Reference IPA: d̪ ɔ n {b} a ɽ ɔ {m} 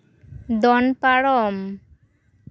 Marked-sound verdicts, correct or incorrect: incorrect, correct

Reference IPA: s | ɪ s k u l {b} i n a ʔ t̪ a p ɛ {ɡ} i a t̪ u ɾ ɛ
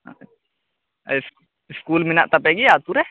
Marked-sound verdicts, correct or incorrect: incorrect, correct

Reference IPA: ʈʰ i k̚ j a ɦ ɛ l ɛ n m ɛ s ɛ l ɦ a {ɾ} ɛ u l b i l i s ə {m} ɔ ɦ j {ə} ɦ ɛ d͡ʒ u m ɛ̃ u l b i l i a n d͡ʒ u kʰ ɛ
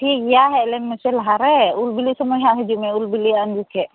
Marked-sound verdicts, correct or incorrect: correct, correct, incorrect

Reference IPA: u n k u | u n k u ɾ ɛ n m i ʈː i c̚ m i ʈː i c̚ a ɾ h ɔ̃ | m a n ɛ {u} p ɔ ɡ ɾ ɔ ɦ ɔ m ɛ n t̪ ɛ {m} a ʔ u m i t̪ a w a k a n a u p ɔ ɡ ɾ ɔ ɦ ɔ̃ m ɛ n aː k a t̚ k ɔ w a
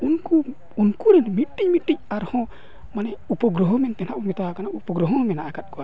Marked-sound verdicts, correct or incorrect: correct, incorrect

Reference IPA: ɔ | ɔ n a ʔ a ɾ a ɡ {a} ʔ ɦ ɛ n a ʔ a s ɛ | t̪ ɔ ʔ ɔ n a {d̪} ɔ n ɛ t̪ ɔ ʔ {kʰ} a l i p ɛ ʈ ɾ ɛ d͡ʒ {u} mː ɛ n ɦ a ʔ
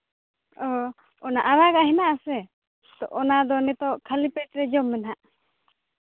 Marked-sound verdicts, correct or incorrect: correct, correct, correct, incorrect

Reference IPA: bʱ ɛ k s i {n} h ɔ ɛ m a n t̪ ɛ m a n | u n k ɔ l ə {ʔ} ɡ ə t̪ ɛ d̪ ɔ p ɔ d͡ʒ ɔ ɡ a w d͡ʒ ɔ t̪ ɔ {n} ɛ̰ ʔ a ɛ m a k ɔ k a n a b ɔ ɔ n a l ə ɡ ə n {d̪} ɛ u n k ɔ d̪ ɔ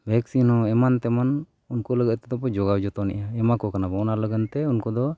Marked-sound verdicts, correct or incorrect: correct, incorrect, correct, incorrect

